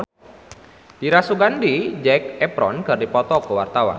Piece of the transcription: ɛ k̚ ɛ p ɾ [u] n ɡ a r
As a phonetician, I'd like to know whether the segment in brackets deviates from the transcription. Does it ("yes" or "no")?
yes